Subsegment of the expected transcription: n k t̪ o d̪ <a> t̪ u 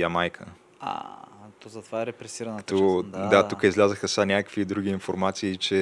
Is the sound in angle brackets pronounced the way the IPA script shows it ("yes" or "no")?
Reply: yes